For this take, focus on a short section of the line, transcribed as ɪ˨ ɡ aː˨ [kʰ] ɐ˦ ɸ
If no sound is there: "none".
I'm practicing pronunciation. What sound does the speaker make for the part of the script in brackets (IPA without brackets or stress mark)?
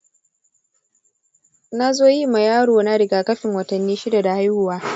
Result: k